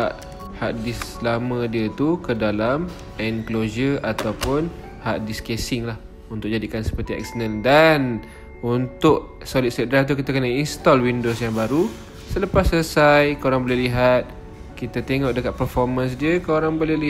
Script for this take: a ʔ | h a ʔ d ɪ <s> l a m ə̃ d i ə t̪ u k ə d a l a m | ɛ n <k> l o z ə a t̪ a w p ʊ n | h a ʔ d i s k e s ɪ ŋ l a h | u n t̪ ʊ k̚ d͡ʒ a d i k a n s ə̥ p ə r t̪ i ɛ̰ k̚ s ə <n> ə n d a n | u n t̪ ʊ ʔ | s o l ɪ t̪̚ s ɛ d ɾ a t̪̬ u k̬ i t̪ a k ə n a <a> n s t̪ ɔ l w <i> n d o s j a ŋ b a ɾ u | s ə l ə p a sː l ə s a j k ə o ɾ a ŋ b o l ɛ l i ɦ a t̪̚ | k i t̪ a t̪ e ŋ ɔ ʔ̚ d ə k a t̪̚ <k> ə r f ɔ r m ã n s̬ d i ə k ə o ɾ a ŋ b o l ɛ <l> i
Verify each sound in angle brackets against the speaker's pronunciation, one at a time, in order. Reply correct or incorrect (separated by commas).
correct, correct, correct, incorrect, correct, incorrect, correct